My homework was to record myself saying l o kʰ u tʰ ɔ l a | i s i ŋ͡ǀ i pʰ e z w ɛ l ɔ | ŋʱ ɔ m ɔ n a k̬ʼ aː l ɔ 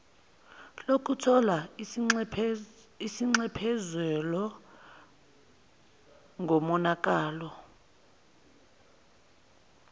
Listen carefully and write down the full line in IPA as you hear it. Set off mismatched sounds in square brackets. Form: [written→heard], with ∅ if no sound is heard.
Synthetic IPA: l o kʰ u tʰ ɔ l a | i s i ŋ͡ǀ [i→ɛ] pʰ [e→ɛ] z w ɛ l ɔ | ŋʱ ɔ m ɔ n a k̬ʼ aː l ɔ